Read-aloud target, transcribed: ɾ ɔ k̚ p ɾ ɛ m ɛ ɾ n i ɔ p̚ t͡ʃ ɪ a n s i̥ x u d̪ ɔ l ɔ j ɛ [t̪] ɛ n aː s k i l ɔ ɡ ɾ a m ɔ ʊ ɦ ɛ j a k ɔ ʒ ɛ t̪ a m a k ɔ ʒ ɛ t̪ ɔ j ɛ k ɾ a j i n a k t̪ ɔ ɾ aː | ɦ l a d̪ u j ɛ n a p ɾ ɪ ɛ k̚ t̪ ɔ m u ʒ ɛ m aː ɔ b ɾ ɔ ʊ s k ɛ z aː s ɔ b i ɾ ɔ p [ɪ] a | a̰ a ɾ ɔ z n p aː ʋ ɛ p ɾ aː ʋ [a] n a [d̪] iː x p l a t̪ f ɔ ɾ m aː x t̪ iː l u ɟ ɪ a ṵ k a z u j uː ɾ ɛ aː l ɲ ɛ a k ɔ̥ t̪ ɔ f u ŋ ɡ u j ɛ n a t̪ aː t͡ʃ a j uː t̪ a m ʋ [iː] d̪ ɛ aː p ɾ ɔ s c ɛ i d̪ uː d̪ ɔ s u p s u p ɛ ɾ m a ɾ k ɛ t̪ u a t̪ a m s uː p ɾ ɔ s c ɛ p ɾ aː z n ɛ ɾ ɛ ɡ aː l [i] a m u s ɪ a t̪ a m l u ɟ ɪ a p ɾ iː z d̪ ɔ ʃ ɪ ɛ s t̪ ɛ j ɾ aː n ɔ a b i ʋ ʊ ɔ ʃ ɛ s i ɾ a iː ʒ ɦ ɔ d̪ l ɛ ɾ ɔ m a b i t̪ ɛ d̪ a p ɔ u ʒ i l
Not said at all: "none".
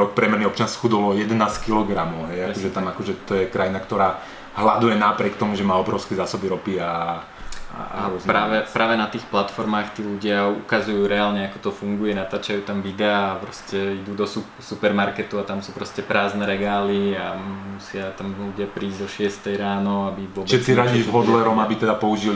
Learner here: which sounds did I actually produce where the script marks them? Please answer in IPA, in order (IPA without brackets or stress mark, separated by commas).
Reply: d̪, i, ɛ, t̪, i, i